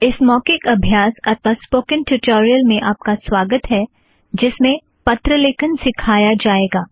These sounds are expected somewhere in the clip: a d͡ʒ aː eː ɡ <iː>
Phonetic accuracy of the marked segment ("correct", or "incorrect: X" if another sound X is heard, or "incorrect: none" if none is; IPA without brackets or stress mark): incorrect: aː